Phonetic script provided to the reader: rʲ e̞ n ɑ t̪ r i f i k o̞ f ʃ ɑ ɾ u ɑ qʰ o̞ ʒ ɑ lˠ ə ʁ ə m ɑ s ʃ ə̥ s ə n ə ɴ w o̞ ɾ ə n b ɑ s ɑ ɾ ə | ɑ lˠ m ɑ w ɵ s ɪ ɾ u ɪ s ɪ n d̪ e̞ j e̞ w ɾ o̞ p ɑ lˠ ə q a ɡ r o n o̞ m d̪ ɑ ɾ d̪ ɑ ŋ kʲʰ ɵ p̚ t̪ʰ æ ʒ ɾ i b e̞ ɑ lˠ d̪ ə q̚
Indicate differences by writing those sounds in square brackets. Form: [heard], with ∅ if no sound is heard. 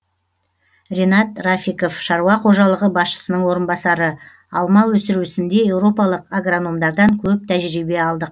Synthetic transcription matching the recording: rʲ e̞ n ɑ t̪ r [a] f i k o̞ f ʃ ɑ ɾ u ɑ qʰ o̞ ʒ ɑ lˠ ə ʁ ə [b] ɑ s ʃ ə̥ s ə n ə ɴ w o̞ ɾ ə n b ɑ s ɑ ɾ ə | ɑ lˠ m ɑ w ɵ s ɪ ɾ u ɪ s ɪ n d̪ e̞ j e̞ w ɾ o̞ p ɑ lˠ ə q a ɡ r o n o̞ m d̪ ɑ ɾ d̪ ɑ ŋ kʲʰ ɵ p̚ t̪ʰ æ ʒ ɾ i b e̞ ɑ lˠ d̪ ə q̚